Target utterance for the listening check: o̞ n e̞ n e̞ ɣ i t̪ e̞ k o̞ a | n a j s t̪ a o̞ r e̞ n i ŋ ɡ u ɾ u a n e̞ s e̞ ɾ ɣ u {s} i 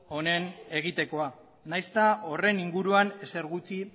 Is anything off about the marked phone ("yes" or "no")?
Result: yes